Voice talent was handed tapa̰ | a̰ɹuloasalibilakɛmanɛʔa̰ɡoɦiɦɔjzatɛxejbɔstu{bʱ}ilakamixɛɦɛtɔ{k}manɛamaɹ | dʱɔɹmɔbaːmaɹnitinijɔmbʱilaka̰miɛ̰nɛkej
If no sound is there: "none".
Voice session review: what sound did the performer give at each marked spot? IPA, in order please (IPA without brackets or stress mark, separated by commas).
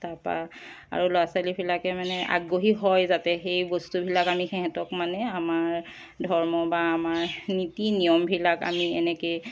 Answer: bʱ, k